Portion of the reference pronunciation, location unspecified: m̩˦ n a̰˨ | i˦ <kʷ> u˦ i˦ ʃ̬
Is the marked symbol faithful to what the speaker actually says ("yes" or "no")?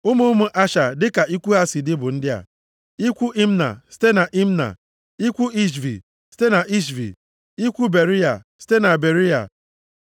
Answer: yes